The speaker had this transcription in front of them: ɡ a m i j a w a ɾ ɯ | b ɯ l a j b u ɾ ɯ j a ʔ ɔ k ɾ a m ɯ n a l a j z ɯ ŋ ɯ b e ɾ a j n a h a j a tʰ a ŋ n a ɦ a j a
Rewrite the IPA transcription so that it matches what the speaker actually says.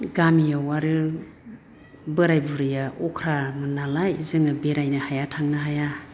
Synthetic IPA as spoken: ɡ a m i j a w a ɾ ɯ | b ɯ ɾ a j b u ɾ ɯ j a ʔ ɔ kʰ ɾ a m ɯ n a l a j z ɯ ŋ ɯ b e ɾ a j n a h a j a tʰ a ŋ n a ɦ a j a